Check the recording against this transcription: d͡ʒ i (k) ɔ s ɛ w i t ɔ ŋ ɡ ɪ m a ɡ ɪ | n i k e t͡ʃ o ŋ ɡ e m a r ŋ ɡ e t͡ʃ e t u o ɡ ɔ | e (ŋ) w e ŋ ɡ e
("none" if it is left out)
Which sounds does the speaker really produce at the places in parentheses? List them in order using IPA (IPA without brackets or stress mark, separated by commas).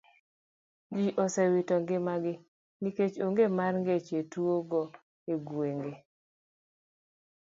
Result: ʔ, ɡ